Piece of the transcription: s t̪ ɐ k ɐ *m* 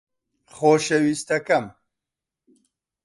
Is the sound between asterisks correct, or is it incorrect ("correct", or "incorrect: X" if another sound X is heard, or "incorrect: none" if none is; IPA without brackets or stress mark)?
correct